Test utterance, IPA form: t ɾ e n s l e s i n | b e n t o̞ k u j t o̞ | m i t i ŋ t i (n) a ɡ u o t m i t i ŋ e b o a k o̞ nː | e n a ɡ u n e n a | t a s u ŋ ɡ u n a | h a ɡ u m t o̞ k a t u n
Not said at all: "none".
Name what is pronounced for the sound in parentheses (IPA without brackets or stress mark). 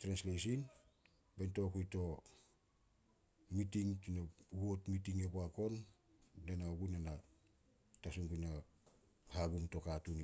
n